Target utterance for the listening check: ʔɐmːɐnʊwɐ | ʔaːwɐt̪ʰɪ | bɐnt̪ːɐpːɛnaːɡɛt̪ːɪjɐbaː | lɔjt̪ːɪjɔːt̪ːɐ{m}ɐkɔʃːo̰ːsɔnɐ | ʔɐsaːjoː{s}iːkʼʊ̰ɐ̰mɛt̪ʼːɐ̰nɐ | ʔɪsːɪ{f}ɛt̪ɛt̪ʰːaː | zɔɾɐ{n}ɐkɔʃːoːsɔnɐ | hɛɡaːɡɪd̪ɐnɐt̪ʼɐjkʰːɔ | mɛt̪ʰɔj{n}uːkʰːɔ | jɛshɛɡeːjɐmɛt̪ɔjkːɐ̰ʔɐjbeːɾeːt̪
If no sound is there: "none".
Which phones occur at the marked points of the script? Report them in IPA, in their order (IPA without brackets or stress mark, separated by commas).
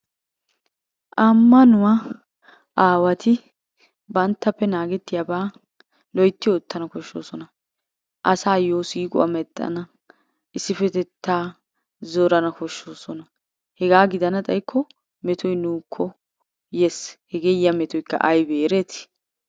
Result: n, s, f, n, n